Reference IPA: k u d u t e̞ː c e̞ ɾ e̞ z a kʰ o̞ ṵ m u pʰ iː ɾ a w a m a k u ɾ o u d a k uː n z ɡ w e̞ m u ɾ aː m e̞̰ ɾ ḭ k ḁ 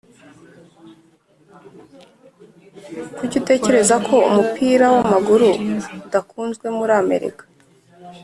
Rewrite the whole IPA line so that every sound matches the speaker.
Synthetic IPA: k u ɟ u t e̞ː c e̞ ɾ e̞ z a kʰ o̞ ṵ m u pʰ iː ɾ a w a m a ɡ u ɾ u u d a k uː n z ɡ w e̞ m u ɾ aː m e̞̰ ɾ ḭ k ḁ